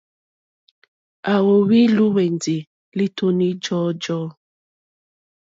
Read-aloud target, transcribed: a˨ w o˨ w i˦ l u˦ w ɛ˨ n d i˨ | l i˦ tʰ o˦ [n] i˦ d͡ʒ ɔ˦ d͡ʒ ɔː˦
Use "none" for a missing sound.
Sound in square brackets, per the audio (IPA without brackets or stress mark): n